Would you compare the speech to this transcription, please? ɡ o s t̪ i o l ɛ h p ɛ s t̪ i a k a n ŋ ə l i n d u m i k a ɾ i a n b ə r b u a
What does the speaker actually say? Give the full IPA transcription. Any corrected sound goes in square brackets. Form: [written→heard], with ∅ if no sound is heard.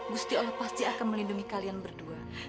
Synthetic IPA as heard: ɡ [o→u] s t̪ i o l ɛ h p [ɛ→a] s t̪ i a k a n [ŋ→m] ə l i n d u [m→ŋ] i k a [ɾ→l] i a n b ə r [b→d] u a

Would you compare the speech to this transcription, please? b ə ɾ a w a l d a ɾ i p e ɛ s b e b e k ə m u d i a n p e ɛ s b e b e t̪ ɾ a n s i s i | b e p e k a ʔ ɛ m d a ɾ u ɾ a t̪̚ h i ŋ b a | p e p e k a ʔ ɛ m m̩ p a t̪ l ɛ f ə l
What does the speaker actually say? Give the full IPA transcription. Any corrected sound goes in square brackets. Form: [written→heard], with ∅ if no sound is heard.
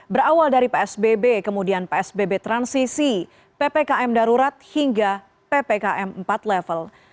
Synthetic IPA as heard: b ə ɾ a w a l d a ɾ i p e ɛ s b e b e k ə m u d i a n p e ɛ s b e b e t̪ ɾ a n s i s i | [b→p] e p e k a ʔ ɛ m d a ɾ u ɾ a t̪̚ h i ŋ [b→ɡ] a | p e p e k a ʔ ɛ m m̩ p a t̪ l ɛ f ə l

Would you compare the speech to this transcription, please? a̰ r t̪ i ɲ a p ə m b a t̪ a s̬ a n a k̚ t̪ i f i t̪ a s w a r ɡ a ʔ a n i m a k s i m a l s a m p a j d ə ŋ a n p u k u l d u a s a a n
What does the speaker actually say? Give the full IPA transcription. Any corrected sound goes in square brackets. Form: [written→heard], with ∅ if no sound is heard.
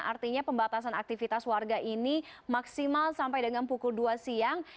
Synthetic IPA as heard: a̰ r t̪ i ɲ a p ə m b a t̪ a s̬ a n a k̚ t̪ i f i t̪ a s w a r ɡ a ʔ [a→i] n i m a k s i m a l s a m p a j d ə ŋ a n p u k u l d u a s [a→i] a [n→ŋ]

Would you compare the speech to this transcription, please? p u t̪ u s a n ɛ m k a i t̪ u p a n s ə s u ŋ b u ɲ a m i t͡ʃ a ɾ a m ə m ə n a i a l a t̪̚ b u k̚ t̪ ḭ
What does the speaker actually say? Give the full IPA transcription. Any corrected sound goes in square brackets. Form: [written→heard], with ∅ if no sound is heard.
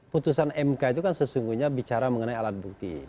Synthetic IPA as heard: p u t̪ u s a n ɛ m k a i t̪ u [p→k] a n s ə s u ŋ [b→ɡ] u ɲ a [m→b] i t͡ʃ a ɾ a m ə [m→ŋ] ə n a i a l a t̪̚ b u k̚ t̪ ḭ

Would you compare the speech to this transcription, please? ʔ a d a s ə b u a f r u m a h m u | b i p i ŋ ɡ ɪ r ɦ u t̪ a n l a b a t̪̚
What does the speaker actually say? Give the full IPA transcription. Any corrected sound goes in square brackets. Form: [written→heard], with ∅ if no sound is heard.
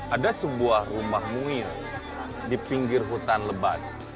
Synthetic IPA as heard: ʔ a d a s ə b u a [f→h] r u m a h m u | [b→d] i p i ŋ ɡ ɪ r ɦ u t̪ a n l [a→ə] b a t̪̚

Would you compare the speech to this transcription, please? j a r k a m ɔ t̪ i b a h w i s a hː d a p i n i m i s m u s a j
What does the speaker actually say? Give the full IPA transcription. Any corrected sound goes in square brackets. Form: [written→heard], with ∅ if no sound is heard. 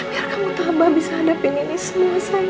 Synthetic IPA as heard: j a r k a m [ɔ→u] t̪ [i→a] b a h [w→b] i s a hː d a p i n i [m→n] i s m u s a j

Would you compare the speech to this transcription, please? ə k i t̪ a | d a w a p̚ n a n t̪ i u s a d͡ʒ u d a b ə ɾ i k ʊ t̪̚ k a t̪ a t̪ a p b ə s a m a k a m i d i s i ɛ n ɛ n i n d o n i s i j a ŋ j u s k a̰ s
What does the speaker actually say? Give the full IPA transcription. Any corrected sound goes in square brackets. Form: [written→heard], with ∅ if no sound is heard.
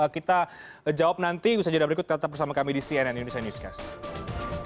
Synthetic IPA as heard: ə k i t̪ a | [d→d͡ʒ] a w a p̚ n a n t̪ i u s a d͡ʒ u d a b ə ɾ i k ʊ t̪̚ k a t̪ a t̪ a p b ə s a m a k a m i d i s i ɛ n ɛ n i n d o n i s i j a [ŋ→n] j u s k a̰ s

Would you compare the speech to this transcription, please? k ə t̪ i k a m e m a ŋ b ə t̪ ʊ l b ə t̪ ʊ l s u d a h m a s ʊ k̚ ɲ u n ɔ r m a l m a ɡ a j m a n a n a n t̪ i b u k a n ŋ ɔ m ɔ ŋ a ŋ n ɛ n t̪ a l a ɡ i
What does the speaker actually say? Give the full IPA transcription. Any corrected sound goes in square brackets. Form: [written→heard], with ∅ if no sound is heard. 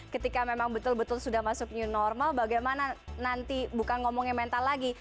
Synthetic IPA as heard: k ə t̪ i k a m e m a ŋ b ə t̪ ʊ l b ə t̪ ʊ l s u d a h m a s ʊ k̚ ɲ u n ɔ r m a l [m→b] a ɡ a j m a n a n a n t̪ i b u k a n ŋ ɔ m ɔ ŋ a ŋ [n→m] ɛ n t̪ a l a ɡ i

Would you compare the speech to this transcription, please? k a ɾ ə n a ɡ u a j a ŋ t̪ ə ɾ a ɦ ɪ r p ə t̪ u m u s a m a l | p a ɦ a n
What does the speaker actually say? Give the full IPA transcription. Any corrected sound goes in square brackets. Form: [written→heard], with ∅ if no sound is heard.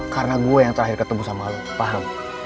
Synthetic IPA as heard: k a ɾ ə n a ɡ u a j a ŋ t̪ ə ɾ a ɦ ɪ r [p→k] ə t̪ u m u s a m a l | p a ɦ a [n→m]

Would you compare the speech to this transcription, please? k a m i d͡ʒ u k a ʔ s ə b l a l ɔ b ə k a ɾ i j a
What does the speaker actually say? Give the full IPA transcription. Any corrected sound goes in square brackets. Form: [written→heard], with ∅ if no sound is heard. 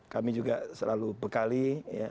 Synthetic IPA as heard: k a m i d͡ʒ u [k→ɡ] a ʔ s ə [b→∅] l a l [ɔ→u] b ə k a [ɾ→l] i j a

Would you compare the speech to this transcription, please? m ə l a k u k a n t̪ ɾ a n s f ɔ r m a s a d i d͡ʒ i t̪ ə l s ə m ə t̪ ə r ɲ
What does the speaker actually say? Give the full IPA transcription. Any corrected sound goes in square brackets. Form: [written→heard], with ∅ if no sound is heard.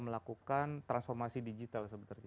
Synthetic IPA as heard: m ə l a k u k a n t̪ ɾ a n s f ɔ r m a s [a→i] d i d͡ʒ i t̪ [ə→a] l s ə [m→b] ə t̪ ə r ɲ

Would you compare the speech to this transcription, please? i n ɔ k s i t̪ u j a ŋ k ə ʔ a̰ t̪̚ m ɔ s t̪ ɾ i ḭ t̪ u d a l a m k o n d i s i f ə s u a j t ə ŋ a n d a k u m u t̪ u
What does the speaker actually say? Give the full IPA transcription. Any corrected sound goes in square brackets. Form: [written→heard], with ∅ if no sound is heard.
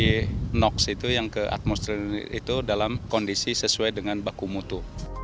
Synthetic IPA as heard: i n ɔ k s i t̪ u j a ŋ k ə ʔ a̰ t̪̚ m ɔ s t̪ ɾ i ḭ t̪ u d a l a m k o n d i s i [f→s] ə s u a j [t→d] ə ŋ a n [d→b] a k u m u t̪ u

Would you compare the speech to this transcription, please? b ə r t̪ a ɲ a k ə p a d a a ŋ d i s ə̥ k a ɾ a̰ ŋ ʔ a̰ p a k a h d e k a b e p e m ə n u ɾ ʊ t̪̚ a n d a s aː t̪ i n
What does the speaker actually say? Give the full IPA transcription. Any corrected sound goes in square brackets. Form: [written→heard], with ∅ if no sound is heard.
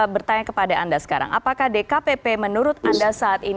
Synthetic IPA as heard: b ə r t̪ a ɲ a k ə p a d a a [ŋ→n] d [i→a] s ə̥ k a ɾ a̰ ŋ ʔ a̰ p a k a h d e k a [b→p] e p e m ə n u ɾ ʊ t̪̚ a n d a s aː t̪ i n

